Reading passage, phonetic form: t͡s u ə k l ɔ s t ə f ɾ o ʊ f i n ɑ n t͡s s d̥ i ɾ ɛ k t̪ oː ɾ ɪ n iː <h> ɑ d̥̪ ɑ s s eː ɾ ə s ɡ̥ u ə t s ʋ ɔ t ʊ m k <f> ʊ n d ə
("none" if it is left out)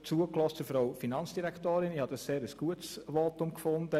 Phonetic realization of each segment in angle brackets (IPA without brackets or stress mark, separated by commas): h, f